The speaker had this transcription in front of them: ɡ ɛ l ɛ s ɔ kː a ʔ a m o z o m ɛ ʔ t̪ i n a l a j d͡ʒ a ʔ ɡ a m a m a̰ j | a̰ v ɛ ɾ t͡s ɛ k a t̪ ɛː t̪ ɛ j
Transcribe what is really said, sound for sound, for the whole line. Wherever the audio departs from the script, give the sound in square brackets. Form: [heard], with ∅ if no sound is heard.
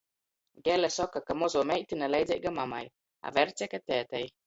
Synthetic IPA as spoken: ɡ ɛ l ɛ s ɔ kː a [k] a m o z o m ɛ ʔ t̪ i n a l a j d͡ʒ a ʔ ɡ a m a m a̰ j | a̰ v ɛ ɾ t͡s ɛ k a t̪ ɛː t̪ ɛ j